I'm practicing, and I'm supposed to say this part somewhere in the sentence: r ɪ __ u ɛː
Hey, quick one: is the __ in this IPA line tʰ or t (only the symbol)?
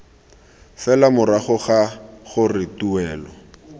t